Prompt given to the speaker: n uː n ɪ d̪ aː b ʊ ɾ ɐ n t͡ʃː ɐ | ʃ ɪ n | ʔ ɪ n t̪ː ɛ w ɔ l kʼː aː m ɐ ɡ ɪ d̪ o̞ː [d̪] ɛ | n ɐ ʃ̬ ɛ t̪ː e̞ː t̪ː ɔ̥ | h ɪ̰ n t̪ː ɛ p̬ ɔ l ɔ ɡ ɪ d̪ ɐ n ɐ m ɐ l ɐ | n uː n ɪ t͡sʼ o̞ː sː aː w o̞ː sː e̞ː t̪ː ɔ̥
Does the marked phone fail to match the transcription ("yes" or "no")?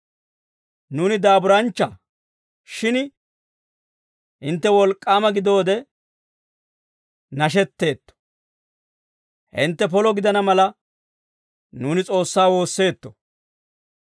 no